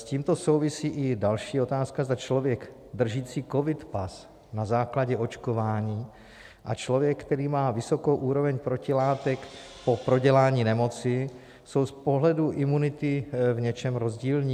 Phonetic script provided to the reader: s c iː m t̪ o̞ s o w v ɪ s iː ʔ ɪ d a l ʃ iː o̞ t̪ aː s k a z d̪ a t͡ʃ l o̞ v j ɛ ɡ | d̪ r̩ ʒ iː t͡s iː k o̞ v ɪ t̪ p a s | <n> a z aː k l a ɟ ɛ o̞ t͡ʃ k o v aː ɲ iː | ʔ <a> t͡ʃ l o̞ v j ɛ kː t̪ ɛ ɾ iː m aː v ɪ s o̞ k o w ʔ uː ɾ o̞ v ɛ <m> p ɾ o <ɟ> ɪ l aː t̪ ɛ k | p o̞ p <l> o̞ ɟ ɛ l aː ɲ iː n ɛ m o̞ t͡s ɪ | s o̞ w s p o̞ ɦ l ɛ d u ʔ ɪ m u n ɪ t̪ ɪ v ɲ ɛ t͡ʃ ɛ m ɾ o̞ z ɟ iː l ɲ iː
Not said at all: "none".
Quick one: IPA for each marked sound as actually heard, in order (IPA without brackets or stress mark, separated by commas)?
n, a, ɲ, c, ɾ